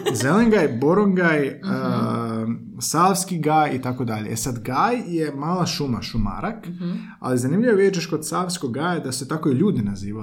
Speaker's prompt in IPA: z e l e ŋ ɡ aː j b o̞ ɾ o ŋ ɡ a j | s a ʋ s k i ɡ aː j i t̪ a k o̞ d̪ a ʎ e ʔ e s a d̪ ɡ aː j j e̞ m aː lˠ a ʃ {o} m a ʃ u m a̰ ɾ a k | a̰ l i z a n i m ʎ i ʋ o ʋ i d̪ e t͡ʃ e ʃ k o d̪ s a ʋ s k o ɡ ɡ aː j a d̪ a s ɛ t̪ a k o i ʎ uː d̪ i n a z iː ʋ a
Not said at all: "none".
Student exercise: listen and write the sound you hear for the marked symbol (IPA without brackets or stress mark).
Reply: u